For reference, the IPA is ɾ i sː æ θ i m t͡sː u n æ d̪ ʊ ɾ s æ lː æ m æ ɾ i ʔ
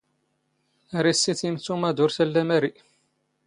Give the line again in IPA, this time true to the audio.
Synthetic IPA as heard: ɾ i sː i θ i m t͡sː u m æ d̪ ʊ ɾ s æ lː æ m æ ɾ i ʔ